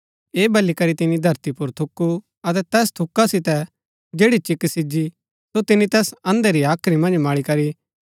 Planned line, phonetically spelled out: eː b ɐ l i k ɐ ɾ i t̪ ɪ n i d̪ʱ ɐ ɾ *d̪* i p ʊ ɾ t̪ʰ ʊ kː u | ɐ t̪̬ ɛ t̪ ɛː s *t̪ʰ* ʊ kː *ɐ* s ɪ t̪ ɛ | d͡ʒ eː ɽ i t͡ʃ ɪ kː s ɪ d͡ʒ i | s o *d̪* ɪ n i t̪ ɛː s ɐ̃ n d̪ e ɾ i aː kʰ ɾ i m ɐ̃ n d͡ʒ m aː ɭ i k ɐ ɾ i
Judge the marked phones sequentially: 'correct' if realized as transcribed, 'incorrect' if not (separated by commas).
incorrect, correct, incorrect, incorrect